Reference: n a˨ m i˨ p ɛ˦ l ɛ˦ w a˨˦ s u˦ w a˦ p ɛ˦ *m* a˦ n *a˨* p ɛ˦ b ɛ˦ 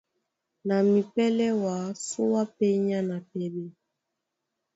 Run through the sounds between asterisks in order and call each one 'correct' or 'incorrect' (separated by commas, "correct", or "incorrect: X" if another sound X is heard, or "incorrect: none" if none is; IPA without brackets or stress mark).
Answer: incorrect: ɲ, correct